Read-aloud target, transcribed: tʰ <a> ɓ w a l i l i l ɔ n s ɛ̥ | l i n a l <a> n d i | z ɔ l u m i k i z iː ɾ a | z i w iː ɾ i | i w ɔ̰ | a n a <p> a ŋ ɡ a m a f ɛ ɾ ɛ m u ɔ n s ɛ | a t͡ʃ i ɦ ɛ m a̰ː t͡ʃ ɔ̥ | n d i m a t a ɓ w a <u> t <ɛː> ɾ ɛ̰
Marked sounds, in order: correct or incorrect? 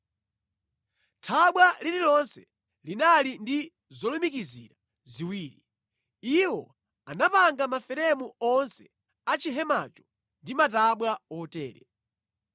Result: correct, incorrect, correct, incorrect, correct

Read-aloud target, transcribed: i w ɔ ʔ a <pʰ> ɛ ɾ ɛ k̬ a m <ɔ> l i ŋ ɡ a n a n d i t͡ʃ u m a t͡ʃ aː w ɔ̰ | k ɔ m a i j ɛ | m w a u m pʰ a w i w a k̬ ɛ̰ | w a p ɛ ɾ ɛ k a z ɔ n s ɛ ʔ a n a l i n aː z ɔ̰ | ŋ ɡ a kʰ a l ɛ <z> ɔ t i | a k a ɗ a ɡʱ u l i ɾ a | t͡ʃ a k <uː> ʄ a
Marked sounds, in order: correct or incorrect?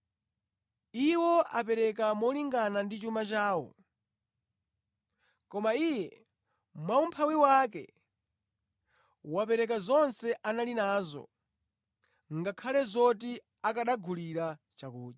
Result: incorrect, correct, correct, correct

